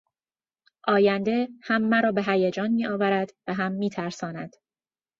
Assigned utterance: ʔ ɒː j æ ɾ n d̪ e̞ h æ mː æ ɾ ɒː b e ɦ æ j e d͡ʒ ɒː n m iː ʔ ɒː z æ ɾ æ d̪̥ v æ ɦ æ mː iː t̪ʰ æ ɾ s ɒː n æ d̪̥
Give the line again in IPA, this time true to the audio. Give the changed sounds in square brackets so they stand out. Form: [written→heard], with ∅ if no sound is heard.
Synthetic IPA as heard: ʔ ɒː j æ [ɾ→∅] n d̪ e̞ h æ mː æ ɾ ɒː b e ɦ æ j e d͡ʒ ɒː n m iː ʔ ɒː [z→v] æ ɾ æ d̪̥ v æ ɦ æ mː iː t̪ʰ æ ɾ s ɒː n æ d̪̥

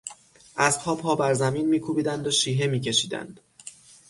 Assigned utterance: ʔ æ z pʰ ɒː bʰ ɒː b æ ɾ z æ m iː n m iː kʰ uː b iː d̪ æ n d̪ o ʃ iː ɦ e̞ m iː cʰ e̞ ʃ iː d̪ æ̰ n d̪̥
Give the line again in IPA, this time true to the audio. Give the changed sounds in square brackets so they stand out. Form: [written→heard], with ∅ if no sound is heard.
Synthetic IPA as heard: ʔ æ z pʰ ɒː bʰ ɒː b æ ɾ z æ m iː n m iː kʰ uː b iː d̪ æ n d̪ o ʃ iː ɦ e̞ m iː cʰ e̞ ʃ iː d̪ æ̰ n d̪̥

